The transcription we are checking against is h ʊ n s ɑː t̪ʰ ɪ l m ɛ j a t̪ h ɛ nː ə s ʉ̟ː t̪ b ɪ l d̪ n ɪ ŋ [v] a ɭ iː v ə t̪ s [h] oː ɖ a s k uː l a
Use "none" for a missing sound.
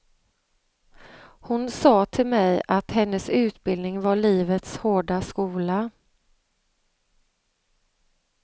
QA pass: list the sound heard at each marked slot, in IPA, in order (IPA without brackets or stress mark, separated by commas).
v, h